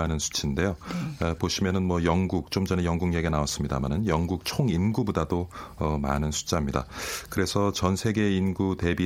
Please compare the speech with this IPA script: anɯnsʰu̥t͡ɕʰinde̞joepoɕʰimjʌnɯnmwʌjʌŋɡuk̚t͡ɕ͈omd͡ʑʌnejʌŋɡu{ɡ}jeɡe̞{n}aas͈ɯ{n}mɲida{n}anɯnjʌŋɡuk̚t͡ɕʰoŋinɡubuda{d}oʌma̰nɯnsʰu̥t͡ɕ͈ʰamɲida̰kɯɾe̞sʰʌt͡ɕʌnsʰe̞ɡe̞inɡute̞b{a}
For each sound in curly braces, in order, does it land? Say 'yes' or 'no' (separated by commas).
no, yes, no, no, yes, no